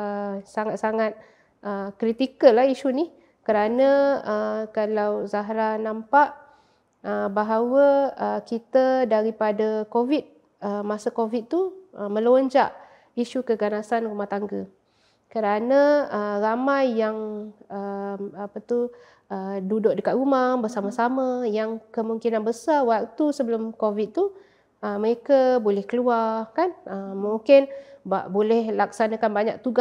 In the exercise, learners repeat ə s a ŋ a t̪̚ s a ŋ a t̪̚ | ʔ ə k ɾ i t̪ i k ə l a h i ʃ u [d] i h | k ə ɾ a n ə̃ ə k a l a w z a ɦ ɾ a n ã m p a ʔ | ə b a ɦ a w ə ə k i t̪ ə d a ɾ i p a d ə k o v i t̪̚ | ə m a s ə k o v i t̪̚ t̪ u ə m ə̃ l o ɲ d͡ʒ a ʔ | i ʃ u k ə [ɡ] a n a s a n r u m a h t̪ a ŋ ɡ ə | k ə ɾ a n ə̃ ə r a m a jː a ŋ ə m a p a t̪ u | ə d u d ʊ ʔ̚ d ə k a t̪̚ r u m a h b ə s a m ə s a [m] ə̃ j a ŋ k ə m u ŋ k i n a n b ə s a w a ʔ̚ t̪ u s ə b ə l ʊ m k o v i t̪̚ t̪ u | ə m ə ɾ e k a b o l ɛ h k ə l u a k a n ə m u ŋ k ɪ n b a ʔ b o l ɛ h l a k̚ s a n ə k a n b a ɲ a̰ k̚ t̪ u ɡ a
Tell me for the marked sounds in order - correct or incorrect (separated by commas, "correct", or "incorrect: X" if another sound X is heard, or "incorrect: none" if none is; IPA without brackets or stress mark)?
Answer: incorrect: n, correct, correct